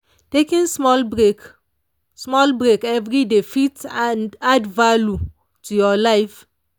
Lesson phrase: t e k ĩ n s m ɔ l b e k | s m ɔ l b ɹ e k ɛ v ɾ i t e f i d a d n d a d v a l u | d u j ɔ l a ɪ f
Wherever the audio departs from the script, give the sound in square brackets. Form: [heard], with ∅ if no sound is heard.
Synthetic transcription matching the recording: t e k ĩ n s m ɔ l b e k | s m ɔ l b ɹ e k ɛ v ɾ i [d] e f i [t] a [∅] n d a d v a l u | [t] u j ɔ l a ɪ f